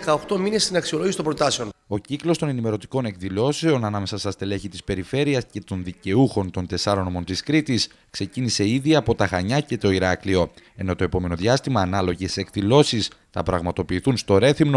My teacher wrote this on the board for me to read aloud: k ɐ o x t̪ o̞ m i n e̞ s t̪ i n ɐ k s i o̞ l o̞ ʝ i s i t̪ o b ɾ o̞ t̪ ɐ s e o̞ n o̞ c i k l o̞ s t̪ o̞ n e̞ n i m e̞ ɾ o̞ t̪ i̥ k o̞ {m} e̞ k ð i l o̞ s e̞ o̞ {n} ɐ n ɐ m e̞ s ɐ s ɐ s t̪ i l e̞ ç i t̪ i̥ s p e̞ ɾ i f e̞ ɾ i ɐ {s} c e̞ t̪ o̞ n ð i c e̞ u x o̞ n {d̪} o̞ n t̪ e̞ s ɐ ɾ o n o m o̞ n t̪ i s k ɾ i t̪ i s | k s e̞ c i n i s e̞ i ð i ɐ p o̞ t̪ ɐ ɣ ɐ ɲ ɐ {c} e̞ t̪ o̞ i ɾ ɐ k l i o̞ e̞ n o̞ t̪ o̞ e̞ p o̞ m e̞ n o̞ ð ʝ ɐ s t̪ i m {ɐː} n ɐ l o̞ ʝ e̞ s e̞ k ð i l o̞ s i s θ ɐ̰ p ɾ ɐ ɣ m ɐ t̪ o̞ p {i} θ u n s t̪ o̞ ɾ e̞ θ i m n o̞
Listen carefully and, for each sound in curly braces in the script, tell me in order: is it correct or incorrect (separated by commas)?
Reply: incorrect, correct, correct, incorrect, correct, correct, incorrect